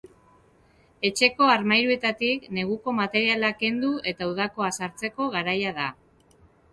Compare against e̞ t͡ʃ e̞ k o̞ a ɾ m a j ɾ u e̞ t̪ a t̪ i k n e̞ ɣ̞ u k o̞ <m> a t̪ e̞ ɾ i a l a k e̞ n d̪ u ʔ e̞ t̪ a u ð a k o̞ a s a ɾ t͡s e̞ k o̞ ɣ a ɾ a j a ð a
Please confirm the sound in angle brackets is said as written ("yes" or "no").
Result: yes